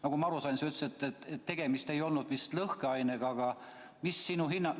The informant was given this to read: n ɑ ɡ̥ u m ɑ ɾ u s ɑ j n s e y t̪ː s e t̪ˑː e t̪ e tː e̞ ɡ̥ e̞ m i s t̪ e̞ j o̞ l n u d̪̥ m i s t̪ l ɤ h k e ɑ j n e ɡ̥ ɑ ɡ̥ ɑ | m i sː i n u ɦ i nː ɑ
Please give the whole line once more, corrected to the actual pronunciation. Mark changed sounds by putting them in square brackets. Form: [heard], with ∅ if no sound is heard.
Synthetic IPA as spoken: n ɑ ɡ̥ u m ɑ ɾ u s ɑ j n s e y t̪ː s e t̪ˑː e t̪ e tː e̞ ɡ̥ e̞ m i s t̪ e̞ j o̞ l n u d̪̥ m i s t̪ l ɤ h k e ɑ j n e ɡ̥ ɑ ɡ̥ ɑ | m i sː i n u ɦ i nː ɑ

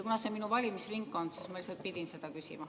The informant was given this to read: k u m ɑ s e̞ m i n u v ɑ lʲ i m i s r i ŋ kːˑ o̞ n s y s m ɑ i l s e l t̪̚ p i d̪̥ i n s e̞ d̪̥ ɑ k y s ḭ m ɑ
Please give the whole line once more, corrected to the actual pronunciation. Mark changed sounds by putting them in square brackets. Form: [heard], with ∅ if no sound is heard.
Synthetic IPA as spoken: k u [n] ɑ s e̞ m i n u v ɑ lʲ i m i s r i ŋ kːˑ o̞ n s [i] s m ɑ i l s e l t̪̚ p i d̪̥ i n s e̞ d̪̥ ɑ k y s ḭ m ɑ

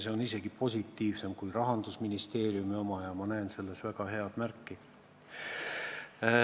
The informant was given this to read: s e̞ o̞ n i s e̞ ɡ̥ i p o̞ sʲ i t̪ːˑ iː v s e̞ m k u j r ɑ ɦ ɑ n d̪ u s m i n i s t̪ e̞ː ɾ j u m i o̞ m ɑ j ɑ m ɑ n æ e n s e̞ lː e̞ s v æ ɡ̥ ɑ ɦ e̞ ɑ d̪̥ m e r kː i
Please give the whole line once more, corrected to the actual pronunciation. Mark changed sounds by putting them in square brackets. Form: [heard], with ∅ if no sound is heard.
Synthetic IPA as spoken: s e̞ o̞ n i s e̞ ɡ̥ i p o̞ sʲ i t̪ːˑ iː v s e̞ m k u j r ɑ ɦ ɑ n d̪ u s m i n i s t̪ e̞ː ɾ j u m i o̞ m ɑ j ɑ m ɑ n æ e n s e̞ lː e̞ s v æ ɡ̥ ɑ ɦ e̞ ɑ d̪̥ m [æ] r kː i

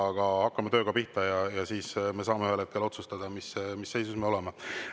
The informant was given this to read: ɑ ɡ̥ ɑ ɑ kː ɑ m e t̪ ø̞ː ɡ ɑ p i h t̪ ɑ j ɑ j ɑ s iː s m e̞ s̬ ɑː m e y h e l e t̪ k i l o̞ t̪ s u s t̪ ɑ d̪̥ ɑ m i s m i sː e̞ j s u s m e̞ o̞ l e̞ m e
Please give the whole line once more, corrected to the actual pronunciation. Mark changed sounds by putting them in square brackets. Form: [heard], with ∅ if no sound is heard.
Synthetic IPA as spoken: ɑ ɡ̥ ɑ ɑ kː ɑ m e t̪ ø̞ː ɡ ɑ p i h t̪ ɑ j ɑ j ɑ s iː s m e̞ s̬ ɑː m e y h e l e t̪ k [e] l o̞ t̪ s u s t̪ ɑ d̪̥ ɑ m i s m i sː e̞ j s u s m e̞ o̞ l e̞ m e

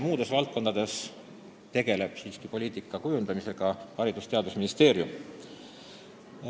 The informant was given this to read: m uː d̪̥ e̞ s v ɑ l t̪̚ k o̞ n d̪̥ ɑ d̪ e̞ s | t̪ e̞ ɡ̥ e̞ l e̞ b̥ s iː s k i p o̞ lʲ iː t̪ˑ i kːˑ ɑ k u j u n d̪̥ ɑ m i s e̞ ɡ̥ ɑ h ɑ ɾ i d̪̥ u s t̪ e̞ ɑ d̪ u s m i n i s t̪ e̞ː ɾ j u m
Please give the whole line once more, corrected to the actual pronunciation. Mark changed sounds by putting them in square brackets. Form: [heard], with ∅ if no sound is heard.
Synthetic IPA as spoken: m uː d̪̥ e̞ s v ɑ l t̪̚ k o̞ n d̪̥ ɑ d̪ e̞ s | t̪ e̞ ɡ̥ e̞ l e̞ b̥ s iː s k i p o̞ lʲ iː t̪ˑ i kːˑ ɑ k u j u n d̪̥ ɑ m i s e̞ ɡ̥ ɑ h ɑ ɾ i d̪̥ u s t̪ e̞ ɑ d̪ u s m i n i s t̪ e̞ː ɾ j u m

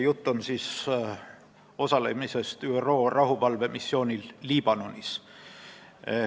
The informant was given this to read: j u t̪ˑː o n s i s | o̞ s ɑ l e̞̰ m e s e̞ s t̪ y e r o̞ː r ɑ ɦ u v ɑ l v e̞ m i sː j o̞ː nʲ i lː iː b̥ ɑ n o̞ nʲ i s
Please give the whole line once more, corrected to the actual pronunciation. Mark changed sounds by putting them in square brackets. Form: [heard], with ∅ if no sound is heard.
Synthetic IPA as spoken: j u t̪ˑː o n s i s | o̞ s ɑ l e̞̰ m [i] s e̞ s t̪ y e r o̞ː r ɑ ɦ u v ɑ l v e̞ m i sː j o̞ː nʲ i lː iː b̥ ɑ n o̞ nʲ i s

